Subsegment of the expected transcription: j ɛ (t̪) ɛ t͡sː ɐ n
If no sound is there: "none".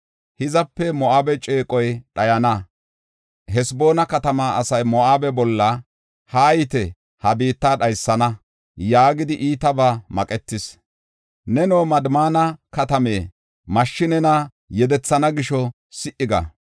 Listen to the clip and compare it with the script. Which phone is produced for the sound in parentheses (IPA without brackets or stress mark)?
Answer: d̪